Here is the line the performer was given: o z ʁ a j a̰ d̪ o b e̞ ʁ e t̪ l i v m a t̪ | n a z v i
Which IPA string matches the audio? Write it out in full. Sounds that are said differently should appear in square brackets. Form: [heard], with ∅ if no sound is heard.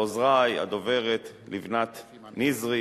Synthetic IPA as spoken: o z ʁ a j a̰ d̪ o [v] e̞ ʁ e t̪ l i v [n] a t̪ | n [i] z [ʁ] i